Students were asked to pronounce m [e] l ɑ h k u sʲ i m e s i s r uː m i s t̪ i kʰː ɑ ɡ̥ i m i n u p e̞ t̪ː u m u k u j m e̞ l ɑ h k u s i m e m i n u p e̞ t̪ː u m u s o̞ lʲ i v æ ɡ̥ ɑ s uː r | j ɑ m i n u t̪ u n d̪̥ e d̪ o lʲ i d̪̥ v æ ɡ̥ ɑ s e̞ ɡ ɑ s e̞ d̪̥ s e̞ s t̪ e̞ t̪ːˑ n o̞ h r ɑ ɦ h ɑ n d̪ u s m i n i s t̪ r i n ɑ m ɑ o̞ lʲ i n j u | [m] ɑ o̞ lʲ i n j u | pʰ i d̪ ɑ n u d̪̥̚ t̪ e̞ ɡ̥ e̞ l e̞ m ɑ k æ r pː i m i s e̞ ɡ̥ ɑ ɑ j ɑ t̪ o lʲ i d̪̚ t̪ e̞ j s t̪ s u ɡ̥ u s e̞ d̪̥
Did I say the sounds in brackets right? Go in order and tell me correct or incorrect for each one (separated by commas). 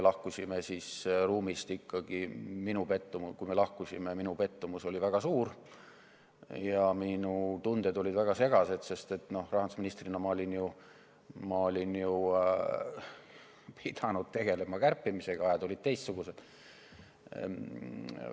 correct, correct